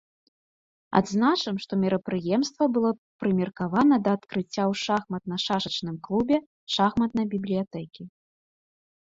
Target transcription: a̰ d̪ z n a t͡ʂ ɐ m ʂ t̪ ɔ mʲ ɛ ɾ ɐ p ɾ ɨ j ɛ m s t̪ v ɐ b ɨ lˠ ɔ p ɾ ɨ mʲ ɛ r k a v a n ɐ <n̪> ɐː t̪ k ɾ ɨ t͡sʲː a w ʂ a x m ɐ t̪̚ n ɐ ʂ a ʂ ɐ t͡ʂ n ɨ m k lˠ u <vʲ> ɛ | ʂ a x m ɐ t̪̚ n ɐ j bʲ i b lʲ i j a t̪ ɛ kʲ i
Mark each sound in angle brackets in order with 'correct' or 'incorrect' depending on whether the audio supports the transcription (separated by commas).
incorrect, incorrect